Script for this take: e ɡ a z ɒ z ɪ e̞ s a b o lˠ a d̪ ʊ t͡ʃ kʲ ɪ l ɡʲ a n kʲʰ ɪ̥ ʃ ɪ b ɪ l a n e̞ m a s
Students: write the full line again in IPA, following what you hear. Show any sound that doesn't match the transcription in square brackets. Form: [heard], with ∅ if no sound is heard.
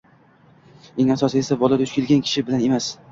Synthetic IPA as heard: e [ŋ] a [s] ɒ [s] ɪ e̞ s a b [ɒ] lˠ a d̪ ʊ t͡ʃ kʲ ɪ l ɡʲ a n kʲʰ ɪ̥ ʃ ɪ b ɪ l a n e̞ m a s